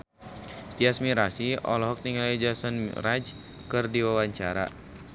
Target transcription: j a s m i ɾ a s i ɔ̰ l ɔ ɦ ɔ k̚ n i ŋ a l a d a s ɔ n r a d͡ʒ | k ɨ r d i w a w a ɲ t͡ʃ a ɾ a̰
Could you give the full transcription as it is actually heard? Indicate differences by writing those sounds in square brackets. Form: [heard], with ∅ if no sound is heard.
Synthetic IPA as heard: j a s m i ɾ a s i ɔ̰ l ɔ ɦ ɔ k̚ n i ŋ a l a [d͡ʒ] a s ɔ n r a d͡ʒ | k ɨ r d i w a w a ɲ t͡ʃ a ɾ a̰